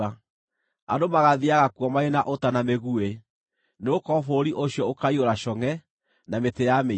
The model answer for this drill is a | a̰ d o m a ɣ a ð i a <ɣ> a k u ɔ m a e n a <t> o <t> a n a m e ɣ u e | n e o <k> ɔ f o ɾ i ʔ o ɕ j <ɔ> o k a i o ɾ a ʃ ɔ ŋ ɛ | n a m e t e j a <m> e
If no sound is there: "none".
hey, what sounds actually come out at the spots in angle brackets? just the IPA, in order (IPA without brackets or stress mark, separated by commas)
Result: ɣ, ʔ, t, k, ɔ, m